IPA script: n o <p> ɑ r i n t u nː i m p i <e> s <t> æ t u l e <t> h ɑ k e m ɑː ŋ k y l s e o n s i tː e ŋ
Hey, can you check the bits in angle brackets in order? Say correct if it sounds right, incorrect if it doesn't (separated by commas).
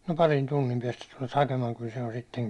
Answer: correct, incorrect, correct, correct